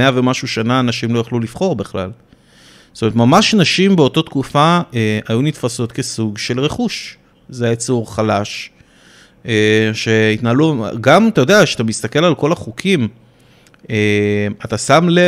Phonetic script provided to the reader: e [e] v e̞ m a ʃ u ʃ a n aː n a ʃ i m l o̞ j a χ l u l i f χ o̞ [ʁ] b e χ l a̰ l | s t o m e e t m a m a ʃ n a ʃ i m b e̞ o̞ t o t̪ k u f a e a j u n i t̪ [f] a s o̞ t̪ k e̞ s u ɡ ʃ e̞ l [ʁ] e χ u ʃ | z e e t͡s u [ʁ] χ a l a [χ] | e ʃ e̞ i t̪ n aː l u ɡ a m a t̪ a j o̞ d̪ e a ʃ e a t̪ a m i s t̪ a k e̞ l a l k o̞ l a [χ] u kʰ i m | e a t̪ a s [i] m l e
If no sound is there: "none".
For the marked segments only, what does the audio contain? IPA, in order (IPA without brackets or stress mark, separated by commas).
a, ʁ, f, ʁ, ʁ, ʃ, χ, a